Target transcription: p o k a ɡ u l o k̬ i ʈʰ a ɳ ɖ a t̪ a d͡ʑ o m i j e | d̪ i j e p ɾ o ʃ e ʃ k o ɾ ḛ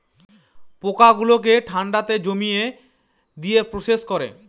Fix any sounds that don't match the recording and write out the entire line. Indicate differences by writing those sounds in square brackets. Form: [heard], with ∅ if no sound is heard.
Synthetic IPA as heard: p o k a ɡ u l o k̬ [e] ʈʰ a ɳ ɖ a t̪ [e] d͡ʑ o m i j e | d̪ i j e p ɾ o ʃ e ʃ k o ɾ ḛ